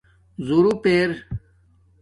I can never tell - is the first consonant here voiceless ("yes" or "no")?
no